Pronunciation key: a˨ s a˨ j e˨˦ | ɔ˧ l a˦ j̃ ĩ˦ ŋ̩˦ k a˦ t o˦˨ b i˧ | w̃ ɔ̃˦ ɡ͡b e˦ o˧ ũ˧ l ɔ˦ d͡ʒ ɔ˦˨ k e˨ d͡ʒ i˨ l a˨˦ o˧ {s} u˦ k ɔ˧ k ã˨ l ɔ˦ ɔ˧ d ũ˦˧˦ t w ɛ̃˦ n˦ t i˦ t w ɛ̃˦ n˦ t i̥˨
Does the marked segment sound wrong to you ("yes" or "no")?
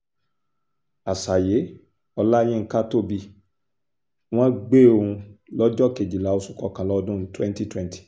no